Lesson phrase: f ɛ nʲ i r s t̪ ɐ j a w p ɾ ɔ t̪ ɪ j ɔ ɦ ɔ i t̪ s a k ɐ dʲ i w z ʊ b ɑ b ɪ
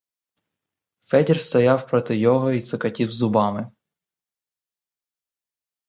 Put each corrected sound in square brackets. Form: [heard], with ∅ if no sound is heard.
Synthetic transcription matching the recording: f ɛ [dʲ] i r s t̪ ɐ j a w p ɾ ɔ t̪ ɪ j ɔ ɦ ɔ i t̪ s [ɐ] k ɐ [tʲ] i w z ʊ b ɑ [m] ɪ